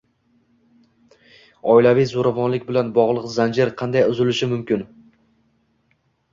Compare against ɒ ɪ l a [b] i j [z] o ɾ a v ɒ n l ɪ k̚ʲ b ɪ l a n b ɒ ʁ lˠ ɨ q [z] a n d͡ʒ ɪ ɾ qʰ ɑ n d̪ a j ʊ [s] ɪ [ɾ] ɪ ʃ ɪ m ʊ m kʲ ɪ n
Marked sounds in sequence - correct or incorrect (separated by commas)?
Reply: incorrect, correct, correct, incorrect, incorrect